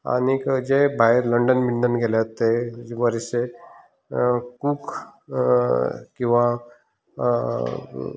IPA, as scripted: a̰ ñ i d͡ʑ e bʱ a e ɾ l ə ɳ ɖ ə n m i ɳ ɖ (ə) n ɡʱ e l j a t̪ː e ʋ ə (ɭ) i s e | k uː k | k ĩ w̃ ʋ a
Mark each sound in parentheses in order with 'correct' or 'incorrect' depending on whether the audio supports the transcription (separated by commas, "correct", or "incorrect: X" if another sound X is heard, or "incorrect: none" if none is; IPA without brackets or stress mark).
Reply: correct, incorrect: ɾ